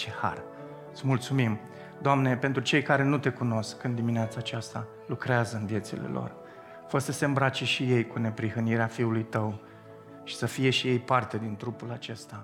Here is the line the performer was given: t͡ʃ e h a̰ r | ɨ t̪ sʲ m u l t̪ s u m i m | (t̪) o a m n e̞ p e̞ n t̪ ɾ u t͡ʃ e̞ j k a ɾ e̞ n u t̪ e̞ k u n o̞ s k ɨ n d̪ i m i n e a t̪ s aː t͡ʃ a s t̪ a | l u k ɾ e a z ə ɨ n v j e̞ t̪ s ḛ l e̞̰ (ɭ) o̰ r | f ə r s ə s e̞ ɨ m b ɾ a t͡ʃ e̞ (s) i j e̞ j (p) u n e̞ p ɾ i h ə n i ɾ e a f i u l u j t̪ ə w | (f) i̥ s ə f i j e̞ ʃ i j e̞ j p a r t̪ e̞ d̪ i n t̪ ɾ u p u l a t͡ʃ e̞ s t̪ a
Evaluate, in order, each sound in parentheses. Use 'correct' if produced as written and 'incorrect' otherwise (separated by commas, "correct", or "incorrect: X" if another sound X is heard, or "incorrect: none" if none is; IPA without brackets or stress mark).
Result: incorrect: d̪, incorrect: l, incorrect: ʃ, incorrect: k, incorrect: ʃ